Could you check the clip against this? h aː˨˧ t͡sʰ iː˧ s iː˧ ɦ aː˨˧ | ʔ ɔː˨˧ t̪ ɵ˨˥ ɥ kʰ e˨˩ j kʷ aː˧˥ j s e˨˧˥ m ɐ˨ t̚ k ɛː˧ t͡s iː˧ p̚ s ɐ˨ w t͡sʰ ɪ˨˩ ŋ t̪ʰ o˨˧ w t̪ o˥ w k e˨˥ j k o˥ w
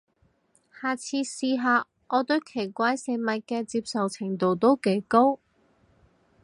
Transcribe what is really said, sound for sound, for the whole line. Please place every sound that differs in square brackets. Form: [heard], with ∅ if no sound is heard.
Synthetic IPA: h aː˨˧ t͡sʰ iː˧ s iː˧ ɦ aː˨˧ | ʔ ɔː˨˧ t̪ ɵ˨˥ ɥ kʰ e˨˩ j kʷ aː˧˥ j s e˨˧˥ m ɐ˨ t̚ k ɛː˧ t͡s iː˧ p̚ s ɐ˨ w t͡sʰ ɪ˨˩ ŋ [t̪] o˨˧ w t̪ o˥ w k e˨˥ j k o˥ w